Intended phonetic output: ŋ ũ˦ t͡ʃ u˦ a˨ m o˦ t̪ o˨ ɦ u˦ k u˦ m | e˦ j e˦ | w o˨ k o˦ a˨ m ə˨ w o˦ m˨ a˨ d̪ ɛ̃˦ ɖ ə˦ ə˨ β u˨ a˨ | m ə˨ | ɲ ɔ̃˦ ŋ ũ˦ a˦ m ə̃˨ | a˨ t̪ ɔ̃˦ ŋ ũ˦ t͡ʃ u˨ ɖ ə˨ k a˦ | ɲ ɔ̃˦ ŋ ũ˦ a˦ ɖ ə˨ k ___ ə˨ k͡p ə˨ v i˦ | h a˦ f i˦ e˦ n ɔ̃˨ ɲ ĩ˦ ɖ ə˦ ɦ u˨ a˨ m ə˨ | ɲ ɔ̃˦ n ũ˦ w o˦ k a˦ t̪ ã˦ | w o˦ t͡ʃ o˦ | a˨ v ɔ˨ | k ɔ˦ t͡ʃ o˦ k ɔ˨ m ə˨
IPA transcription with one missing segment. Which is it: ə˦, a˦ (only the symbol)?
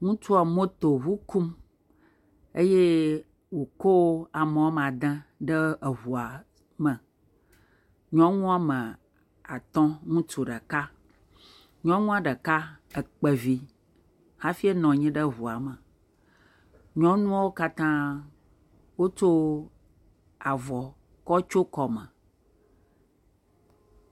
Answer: a˦